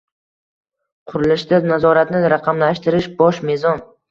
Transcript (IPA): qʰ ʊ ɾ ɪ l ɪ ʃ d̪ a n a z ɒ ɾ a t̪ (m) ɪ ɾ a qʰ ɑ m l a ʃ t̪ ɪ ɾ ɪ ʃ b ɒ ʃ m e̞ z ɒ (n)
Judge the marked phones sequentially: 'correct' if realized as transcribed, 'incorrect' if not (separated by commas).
incorrect, correct